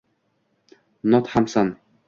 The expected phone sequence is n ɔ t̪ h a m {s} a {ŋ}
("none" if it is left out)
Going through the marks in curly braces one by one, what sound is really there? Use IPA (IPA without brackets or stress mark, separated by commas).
s, n